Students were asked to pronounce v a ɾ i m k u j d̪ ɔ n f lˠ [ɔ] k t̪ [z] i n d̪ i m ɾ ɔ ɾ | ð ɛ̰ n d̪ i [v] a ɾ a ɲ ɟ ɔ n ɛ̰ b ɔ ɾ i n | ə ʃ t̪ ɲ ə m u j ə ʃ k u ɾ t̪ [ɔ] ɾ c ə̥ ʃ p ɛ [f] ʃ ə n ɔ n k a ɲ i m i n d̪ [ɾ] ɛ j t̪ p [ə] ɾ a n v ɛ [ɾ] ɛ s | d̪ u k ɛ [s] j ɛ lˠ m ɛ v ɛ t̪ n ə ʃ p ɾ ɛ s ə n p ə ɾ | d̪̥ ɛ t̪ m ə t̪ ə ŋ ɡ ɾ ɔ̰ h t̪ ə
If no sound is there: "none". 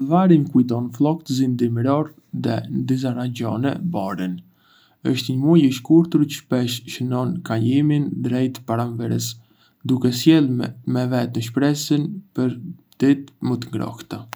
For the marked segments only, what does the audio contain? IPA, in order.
ɔ, z, z, u, ʃ, ɾ, a, ɾ, s

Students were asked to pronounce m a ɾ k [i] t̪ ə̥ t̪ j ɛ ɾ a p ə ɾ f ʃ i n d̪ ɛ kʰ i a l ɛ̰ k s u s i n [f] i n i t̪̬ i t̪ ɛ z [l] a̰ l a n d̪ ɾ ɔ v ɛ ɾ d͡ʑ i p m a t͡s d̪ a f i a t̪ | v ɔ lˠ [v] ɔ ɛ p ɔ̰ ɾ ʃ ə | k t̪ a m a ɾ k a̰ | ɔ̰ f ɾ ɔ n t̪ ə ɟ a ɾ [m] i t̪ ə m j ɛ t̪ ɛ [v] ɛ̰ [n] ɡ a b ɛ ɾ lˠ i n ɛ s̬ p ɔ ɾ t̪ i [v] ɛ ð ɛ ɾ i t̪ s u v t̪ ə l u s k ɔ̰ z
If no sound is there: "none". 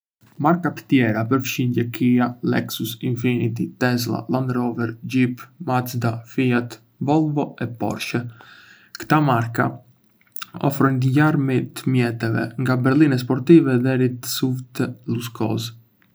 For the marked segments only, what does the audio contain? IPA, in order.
a, f, l, v, m, v, ŋ, v

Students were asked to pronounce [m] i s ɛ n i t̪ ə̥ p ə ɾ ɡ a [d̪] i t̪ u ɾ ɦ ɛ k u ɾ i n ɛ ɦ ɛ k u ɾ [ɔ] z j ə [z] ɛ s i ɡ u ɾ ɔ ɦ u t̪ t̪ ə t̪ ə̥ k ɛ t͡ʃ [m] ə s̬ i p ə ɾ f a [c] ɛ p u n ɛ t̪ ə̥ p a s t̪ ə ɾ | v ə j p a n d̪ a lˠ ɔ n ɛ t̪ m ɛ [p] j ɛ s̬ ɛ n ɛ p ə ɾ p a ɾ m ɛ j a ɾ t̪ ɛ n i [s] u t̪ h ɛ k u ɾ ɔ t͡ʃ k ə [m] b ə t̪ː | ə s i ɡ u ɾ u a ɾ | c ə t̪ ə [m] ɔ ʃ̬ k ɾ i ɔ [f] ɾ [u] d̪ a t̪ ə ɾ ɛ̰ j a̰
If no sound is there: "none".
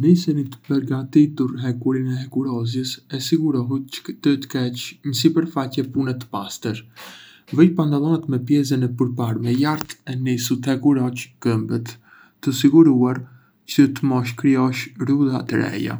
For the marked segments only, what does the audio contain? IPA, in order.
n, t̪, ɔ, s, ɲ, c, p, s, m, m, ʃ, u

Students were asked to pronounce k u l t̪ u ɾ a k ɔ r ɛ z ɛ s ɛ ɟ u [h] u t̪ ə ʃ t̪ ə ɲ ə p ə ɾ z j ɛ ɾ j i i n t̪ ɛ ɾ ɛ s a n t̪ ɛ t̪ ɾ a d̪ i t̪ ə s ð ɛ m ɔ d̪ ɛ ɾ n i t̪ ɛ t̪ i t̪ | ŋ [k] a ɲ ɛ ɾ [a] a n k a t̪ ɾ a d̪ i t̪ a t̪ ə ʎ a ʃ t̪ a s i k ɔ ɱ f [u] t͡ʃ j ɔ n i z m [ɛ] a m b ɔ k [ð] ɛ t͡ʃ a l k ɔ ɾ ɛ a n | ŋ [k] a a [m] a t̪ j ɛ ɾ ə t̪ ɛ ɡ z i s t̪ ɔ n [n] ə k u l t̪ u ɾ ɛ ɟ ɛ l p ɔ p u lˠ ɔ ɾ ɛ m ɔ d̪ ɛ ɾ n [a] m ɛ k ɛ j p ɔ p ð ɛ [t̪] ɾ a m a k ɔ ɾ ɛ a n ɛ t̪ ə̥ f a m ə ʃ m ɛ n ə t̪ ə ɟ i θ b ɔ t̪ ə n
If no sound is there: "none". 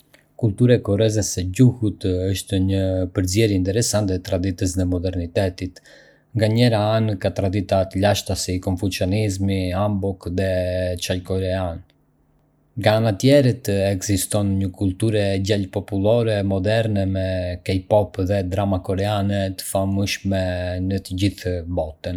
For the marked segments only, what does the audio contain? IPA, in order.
h, ɡ, a, u, i, ð, ɡ, n, ɲ, ɛ, d̪

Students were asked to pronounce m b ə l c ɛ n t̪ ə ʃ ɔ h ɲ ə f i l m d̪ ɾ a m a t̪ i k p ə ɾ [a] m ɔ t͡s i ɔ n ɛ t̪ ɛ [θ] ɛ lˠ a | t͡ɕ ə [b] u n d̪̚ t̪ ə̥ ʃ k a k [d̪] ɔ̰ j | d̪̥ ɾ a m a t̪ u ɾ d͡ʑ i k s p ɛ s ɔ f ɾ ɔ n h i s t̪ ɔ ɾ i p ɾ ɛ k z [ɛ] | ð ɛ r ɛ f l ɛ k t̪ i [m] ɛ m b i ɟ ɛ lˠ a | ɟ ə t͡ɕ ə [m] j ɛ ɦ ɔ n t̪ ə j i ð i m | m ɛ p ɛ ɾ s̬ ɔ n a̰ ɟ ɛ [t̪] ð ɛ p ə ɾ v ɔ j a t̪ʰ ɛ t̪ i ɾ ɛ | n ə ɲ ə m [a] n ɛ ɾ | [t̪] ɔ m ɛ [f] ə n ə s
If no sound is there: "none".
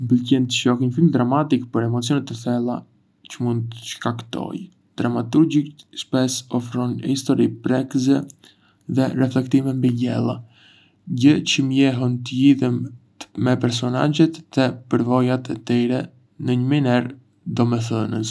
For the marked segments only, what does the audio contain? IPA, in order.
ɛ, θ, m, t̪, ɛ, m, m, t̪, i, d̪, θ

